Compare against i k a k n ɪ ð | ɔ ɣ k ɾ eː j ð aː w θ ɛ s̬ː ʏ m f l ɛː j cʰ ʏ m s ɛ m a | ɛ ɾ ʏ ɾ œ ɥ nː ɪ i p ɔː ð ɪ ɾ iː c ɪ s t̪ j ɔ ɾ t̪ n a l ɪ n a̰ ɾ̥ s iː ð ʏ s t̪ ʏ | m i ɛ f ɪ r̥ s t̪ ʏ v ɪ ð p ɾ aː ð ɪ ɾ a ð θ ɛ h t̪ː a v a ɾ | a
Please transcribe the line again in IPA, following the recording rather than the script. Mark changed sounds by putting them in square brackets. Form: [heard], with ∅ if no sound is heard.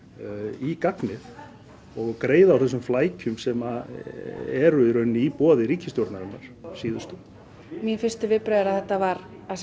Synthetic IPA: i k a k n ɪ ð | ɔ ɣ k ɾ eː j ð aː w θ ɛ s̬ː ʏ m f l [aː] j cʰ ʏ m s ɛ m a | ɛ ɾ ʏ ɾ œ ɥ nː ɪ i p ɔː ð ɪ ɾ iː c ɪ s t̪ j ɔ ɾ t̪ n a [ɾ] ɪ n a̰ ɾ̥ s iː ð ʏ s t̪ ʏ | m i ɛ f ɪ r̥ s t̪ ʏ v ɪ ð p ɾ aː ð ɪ ɾ a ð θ ɛ h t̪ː a v a ɾ | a